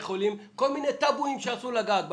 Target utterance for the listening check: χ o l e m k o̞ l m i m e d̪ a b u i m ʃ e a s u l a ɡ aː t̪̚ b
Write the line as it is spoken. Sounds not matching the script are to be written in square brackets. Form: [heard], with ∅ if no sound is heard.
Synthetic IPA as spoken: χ o l [i] m k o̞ l m i [n] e [t̪] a b u i m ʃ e a s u l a ɡ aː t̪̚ b